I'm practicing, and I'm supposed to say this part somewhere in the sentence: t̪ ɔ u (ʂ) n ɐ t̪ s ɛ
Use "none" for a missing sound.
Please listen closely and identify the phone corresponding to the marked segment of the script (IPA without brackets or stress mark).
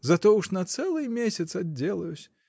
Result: ʂ